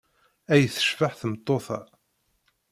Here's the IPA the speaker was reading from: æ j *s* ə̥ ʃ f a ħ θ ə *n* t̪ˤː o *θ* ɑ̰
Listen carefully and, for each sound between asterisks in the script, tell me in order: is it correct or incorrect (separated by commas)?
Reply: incorrect, incorrect, correct